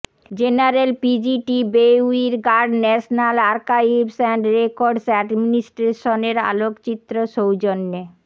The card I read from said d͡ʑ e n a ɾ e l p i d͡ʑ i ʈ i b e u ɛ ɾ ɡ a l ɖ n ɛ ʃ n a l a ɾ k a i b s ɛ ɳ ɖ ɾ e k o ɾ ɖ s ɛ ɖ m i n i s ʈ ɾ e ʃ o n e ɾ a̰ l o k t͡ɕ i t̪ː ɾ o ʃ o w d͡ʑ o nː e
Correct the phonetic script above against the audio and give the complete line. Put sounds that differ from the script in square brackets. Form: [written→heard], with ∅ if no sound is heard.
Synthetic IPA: d͡ʑ e n a ɾ e l p i d͡ʑ i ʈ i b e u [ɛ→i] ɾ ɡ a [l→ɾ] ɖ n ɛ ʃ n a l a ɾ k a i b s ɛ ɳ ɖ ɾ e k o ɾ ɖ s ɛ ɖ m i n i s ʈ ɾ e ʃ o n e ɾ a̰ l o k t͡ɕ i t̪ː ɾ o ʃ o w d͡ʑ o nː e